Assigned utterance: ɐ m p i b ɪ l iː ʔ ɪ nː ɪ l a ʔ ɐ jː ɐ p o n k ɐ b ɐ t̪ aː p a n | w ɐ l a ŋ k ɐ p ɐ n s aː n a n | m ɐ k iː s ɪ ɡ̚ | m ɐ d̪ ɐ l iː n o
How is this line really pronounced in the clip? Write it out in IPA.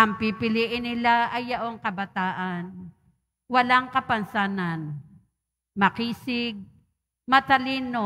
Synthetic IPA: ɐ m p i p ɪ l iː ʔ ɪ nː ɪ l a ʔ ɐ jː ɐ ʔ o ŋ k ɐ b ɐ t̪ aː ʔ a n | w ɐ l a ŋ k ɐ p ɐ n s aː n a n | m ɐ k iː s ɪ ɡ̚ | m ɐ t̪ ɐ l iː n o